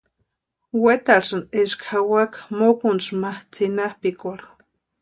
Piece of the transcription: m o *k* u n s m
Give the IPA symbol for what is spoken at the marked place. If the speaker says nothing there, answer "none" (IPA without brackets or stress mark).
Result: k